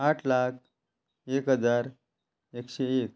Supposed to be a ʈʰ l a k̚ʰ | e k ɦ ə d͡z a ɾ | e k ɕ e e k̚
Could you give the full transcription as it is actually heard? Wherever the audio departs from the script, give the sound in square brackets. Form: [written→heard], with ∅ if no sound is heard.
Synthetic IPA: a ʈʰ l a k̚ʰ | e k ɦ ə d͡z a ɾ | e k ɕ e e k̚